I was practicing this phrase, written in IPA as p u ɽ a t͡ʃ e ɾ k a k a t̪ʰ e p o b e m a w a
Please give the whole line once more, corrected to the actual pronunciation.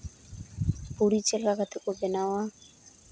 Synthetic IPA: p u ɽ i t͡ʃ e l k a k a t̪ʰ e k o b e n a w a